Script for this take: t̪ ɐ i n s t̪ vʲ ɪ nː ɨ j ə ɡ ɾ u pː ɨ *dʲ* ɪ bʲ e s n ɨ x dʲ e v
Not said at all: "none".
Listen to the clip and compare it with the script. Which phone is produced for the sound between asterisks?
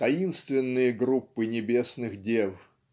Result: nʲ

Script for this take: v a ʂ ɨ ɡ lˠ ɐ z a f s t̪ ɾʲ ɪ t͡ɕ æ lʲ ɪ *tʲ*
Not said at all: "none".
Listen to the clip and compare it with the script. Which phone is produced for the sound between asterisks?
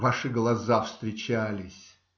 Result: sʲ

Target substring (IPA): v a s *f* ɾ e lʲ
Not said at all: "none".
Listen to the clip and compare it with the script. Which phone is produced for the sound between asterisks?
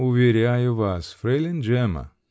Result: f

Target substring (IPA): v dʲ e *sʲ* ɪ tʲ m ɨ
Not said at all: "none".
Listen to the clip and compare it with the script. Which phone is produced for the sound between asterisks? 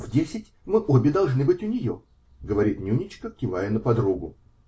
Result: sʲ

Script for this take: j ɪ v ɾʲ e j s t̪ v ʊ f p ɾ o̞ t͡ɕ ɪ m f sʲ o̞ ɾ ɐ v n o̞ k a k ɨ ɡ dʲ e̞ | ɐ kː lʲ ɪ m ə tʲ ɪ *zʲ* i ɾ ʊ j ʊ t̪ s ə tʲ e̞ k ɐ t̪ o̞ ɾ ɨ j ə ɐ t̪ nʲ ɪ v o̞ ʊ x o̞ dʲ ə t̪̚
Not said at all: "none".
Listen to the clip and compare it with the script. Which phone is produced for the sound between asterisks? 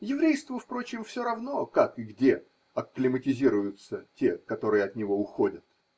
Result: zʲ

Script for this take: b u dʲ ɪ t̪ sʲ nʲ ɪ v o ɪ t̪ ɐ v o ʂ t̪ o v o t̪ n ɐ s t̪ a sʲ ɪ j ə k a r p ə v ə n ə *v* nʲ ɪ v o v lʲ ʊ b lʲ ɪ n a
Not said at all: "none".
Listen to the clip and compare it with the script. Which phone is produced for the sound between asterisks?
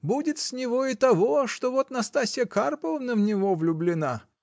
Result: v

